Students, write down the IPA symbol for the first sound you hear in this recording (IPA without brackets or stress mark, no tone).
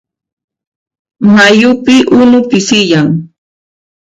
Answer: m